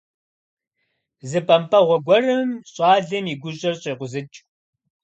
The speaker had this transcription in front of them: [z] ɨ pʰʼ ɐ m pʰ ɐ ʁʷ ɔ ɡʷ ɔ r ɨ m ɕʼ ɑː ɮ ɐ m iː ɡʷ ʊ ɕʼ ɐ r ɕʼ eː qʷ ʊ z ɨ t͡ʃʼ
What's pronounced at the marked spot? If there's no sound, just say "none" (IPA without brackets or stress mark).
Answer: z